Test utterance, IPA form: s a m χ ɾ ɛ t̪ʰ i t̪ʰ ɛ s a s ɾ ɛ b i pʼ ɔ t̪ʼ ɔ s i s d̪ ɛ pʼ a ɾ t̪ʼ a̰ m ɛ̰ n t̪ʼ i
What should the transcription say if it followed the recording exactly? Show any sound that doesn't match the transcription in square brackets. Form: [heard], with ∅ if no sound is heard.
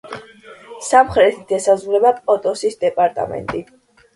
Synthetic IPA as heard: s a m χ ɾ ɛ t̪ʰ i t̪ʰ ɛ s a [z] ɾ ɛ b [a] pʼ ɔ t̪ʼ ɔ s i s d̪ ɛ pʼ a ɾ t̪ʼ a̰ m ɛ̰ n t̪ʼ i